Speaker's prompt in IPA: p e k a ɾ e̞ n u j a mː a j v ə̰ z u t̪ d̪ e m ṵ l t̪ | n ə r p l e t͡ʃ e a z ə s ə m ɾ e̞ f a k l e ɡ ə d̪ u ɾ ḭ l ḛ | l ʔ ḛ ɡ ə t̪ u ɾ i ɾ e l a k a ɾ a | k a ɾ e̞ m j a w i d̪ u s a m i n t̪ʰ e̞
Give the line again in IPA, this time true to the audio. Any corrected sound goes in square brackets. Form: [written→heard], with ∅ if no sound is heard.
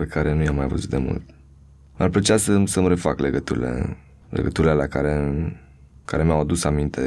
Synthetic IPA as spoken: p e k a ɾ e̞ n u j a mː a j v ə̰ z u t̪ d̪ e m ṵ l t̪ | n [ə→a] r p l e t͡ʃ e a [z→s] ə s ə m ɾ e̞ f a k l e ɡ ə [d̪→t̪] u ɾ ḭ l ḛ | l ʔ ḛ ɡ ə t̪ u ɾ i [ɾ→l] e l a k a ɾ [a→e] | k a ɾ e̞ m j a w [i→a] d̪ u s a m i n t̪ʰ e̞